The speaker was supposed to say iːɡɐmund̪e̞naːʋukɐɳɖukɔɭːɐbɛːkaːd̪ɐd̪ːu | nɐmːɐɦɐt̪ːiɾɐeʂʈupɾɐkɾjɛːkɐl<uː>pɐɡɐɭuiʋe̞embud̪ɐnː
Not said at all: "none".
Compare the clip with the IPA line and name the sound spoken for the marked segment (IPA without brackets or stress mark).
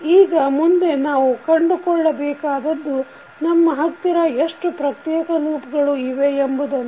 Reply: uː